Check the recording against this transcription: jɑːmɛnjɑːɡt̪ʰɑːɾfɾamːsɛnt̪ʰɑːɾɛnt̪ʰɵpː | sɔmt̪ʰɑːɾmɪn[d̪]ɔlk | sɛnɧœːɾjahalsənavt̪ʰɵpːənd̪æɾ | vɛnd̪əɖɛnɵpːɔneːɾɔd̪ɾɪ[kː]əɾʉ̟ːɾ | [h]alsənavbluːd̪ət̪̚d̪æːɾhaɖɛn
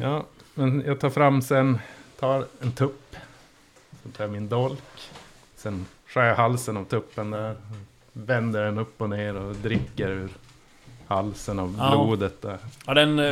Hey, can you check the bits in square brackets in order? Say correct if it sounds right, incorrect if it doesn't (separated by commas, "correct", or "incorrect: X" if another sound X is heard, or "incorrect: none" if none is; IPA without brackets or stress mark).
correct, correct, correct